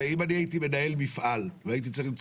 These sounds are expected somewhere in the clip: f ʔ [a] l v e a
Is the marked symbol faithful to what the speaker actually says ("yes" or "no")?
yes